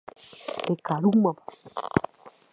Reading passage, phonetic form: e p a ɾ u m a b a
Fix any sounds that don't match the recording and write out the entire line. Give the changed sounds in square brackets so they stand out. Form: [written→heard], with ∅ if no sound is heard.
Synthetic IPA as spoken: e [p→k] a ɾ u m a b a